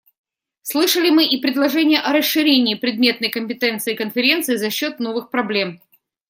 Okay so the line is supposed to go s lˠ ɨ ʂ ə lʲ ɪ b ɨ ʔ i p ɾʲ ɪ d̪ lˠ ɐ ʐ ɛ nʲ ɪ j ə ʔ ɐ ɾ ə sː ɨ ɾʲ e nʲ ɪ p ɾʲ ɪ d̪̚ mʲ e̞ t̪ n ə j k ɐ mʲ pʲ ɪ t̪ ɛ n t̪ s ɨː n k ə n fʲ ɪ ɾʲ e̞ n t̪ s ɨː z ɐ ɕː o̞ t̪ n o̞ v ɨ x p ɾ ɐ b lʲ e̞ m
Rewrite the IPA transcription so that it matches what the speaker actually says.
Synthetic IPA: s lˠ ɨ ʂ ə lʲ ɪ m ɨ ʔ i p ɾʲ ɪ d̪ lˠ ɐ ʐ ɛ nʲ ɪ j ə ʔ ɐ ɾ ə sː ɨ ɾʲ e nʲ ɪː p ɾʲ ɪ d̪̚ mʲ e̞ t̪ n ə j k ə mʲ pʲ ɪ t̪ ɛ n t̪ s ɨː k ə n fʲ ɪ ɾʲ e̞ n t̪ s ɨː z ɐ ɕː o̞ t̪ n o̞ v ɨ x p ɾ ɐ b lʲ e̞ m

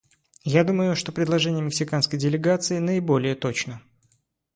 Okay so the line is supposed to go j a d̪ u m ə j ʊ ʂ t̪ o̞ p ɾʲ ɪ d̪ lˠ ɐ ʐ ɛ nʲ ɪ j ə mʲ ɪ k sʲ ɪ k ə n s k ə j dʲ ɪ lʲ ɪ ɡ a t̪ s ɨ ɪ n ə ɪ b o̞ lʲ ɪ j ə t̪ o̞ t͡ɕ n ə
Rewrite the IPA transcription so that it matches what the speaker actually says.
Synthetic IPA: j a d̪ u m ə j ʊ ʂ t̪ o̞ p ɾʲ ɪ d̪ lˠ ɐ ʐ ɛ nʲ ɪ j ə mʲ ɪ k sʲ ɪ k a n s k ə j dʲ ɪ lʲ ɪ ɡ a t̪ s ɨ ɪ n ə ɪ b o̞ lʲ ɪ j ə t̪ o̞ t͡ɕ n ə

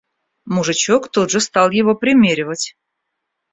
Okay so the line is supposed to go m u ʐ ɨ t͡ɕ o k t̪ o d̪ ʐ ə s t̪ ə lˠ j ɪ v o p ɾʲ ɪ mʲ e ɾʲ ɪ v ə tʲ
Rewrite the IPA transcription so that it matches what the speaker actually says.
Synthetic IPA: m u ʐ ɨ t͡ɕ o k t̪ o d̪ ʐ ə s t̪ ɑ lˠ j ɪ v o p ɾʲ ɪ mʲ e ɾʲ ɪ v ə tʲ

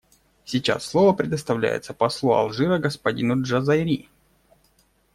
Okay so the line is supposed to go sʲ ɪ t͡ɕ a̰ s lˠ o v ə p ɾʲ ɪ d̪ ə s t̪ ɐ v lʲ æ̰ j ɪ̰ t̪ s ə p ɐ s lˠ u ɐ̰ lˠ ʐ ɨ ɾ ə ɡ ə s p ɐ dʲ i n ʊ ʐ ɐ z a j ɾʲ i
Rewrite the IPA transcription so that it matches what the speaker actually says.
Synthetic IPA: sʲ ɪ t͡ɕ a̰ sː lˠ o v ə p ɾʲ ɪ d̪ ə s t̪ ɐ v lʲ æ̰ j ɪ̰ t̪ s ə p ɐ s lˠ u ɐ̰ lˠ ʐ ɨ ɾ ə ɡ ə s p ɐ dʲ i n ʊ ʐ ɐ z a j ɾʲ i

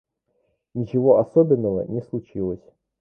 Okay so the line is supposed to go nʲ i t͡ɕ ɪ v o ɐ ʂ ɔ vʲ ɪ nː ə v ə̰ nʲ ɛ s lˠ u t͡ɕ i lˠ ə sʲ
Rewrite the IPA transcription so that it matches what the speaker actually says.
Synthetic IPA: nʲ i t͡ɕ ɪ v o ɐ s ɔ bʲ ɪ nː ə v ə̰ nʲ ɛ s lˠ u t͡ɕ i lˠ ə sʲ

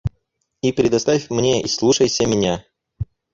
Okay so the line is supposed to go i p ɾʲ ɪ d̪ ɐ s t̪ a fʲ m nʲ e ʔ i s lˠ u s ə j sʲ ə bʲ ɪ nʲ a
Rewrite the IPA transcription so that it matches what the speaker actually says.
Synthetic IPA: i p ɾʲ ɪ d̪ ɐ s t̪ a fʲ m nʲ e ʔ i s lˠ u ʂ ə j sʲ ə mʲ ɪ nʲ a

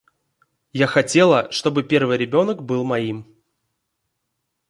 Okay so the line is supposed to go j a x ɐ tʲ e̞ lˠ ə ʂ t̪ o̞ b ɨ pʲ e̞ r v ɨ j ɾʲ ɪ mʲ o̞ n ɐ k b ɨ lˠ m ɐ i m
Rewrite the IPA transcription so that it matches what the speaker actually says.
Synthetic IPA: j a x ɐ tʲ e̞ lˠ ə ʂ t̪ o̞ b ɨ pʲ e̞ r v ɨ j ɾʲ ɪ bʲ o̞ n ə k b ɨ lˠ m ɐ i m

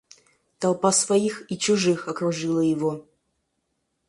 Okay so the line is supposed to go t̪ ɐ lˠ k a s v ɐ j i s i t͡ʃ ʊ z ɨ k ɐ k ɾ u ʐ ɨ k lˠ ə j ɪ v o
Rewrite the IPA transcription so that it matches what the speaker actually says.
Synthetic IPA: t̪ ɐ lˠ p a s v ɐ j i x i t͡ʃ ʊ ʐ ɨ x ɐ k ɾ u ʐ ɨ lˠ ə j ɪ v o

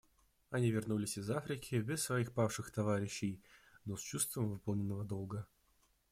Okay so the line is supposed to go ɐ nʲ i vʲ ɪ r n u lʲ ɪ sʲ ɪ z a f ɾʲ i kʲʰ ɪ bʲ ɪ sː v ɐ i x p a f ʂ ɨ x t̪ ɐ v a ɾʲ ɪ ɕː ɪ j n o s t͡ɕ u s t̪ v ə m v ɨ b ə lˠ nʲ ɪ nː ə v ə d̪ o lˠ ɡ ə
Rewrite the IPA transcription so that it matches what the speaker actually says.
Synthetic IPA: ɐ nʲ i vʲ ɪ r n u lʲ ɪ sʲ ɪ z a f ɾʲ ɪ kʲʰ ɪ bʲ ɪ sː v ɐ i x p a f ʂ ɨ x t̪ ɐ v a ɾʲ ɪ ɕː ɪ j n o s t͡ɕ u s t̪ v ə m v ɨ p ə lˠ nʲ ɪ nː ə v ə d̪ o lˠ ɡ ə

